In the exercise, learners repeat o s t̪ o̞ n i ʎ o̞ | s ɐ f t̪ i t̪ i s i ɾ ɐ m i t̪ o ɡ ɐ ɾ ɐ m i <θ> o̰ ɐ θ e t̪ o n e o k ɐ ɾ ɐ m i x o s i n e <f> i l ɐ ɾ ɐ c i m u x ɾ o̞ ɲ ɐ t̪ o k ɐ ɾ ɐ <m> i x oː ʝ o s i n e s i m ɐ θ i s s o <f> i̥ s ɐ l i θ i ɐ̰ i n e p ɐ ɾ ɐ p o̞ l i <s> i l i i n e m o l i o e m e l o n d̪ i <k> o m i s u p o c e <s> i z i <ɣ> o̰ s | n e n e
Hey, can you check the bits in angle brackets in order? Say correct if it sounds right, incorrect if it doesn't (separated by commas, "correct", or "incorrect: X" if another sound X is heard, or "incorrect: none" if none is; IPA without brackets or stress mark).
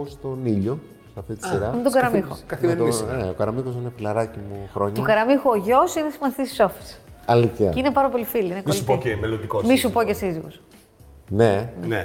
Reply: incorrect: x, correct, correct, correct, incorrect: f, correct, correct, correct